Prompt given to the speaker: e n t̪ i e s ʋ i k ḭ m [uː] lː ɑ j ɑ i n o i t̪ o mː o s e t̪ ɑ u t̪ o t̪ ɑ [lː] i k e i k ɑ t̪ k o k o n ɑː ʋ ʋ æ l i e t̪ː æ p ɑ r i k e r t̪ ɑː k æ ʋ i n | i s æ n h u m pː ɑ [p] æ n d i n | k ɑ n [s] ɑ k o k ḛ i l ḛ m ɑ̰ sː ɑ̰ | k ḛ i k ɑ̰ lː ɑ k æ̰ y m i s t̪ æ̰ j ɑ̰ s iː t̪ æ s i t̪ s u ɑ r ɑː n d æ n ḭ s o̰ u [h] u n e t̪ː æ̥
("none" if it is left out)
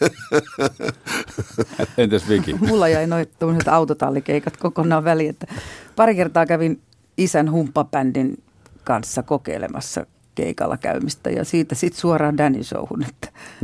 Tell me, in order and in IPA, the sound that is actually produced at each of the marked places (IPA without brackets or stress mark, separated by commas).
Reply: u, lː, p, sː, h